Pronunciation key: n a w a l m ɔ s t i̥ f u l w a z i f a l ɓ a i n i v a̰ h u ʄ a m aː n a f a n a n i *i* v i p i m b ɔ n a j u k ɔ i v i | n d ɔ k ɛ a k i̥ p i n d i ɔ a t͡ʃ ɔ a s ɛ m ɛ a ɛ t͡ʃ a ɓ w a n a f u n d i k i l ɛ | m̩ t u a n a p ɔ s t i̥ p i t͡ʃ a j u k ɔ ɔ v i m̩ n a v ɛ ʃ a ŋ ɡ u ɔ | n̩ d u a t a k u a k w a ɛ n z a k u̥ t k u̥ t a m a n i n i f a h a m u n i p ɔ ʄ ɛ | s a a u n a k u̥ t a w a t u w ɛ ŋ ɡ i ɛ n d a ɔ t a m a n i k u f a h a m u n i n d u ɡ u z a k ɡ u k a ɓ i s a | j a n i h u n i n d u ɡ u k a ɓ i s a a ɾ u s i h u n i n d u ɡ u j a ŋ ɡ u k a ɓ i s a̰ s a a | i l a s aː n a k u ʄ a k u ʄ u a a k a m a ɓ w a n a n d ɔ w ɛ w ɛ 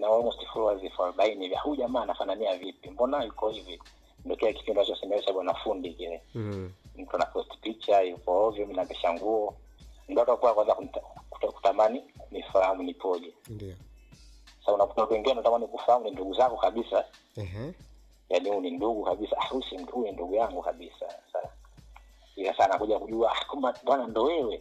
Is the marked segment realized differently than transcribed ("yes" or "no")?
yes